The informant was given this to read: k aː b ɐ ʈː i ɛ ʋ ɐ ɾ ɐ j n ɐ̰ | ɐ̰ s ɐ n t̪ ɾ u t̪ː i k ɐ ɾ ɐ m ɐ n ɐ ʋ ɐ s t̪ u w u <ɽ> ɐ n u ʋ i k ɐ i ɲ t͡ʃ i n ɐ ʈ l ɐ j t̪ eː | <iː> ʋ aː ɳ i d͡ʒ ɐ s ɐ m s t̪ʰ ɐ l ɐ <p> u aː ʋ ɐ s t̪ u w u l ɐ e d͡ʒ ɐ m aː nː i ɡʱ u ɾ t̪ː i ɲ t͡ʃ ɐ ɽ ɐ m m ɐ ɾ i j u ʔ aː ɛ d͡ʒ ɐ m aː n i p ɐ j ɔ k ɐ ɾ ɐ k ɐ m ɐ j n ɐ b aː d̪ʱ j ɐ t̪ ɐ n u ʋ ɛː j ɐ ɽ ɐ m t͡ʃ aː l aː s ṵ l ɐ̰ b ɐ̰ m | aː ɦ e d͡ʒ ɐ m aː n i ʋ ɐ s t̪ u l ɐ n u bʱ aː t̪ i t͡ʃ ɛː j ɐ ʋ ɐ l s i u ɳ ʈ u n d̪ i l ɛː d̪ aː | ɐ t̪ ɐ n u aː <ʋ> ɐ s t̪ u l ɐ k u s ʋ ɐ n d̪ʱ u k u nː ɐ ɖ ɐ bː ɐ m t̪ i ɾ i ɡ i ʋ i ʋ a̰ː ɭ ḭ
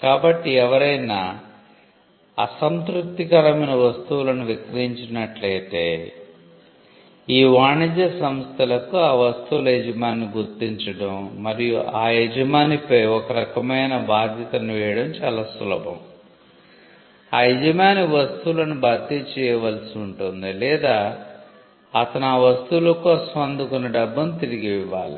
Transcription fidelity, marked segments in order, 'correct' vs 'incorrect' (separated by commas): incorrect, correct, incorrect, correct